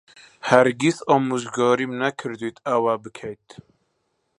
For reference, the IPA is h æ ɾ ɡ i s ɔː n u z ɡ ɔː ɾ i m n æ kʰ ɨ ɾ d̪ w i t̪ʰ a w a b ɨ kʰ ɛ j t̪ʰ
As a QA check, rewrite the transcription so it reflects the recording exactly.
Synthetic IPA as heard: h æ ɾ ɡ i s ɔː m u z ɡ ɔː ɾ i m n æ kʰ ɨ ɾ d̪ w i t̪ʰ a w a b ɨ kʰ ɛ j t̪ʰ